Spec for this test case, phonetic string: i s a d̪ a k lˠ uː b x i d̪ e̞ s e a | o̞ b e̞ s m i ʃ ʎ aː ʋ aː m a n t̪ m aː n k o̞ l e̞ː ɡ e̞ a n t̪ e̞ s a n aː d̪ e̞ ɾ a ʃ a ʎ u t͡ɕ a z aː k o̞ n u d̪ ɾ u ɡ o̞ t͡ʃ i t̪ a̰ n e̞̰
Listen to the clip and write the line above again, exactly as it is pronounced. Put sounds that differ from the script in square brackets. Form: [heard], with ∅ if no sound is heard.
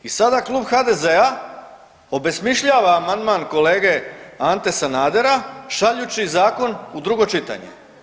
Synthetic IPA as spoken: i s a d̪ a k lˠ uː b x [a] d̪ e̞ [z] e a | o̞ b e̞ s m i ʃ ʎ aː ʋ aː m a n [d̪] m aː n k o̞ l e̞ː ɡ e̞ a n t̪ e̞ s a n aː d̪ e̞ ɾ a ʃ a ʎ u t͡ɕ [i] z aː k o̞ n u d̪ ɾ u ɡ o̞ t͡ʃ i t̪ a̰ [ɲ] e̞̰